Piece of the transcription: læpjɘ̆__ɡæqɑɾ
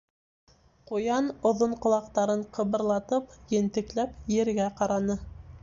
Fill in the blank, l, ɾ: ɾ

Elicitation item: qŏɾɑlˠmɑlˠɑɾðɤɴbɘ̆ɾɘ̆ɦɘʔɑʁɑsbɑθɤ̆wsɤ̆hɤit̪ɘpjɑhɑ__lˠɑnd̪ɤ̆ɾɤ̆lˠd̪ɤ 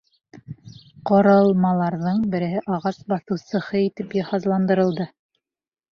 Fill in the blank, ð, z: z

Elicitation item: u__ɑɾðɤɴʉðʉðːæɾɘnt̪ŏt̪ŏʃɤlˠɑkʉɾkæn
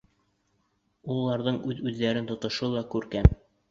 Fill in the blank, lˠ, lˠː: lˠː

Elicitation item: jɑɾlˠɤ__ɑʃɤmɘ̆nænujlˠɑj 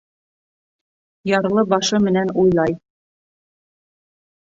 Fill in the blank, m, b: b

